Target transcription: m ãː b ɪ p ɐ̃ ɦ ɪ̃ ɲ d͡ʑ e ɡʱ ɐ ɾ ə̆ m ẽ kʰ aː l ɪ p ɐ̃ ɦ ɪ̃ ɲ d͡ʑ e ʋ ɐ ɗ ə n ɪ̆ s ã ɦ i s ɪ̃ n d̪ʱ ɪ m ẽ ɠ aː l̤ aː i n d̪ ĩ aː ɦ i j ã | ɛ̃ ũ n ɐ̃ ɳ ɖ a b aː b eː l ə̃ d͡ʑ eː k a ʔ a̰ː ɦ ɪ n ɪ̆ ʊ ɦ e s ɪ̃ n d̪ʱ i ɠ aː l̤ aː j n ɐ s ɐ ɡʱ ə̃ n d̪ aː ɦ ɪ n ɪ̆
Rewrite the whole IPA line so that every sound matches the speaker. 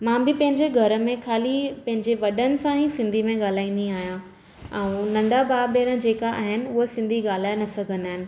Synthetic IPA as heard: m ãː b ɪ p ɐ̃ ɦ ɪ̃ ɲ d͡ʑ e ɡʱ ɐ ɾ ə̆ m ẽ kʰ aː l i p ɐ̃ ɦ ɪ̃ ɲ d͡ʑ e ʋ ɐ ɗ ə n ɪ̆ s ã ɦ i s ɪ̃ n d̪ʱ i m ẽ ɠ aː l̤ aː i n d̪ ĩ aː ɦ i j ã | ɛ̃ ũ n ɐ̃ ɳ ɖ a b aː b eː ɾ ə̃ d͡ʑ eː k a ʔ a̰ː ɦ ɪ n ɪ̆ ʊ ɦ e s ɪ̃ n d̪ʱ i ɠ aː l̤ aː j n ɐ s ɐ ɡʱ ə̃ n d̪ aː ɦ ɪ n ɪ̆